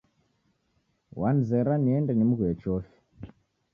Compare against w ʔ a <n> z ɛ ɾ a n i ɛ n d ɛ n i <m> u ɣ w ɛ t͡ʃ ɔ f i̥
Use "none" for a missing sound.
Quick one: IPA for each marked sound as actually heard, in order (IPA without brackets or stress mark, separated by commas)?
n, m